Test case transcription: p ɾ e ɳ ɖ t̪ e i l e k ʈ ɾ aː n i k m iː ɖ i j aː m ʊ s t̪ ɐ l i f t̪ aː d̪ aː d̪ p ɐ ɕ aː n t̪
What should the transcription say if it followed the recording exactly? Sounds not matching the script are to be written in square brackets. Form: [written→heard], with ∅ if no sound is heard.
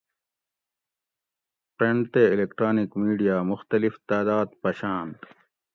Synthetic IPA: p ɾ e ɳ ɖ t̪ e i l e k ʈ ɾ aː n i k m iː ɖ i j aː m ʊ [s→x] t̪ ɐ l i f t̪ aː d̪ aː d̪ p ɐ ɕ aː n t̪